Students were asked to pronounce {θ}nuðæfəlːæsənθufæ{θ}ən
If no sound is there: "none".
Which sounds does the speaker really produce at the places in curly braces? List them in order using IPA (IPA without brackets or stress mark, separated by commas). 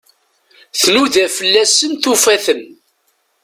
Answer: θ, θ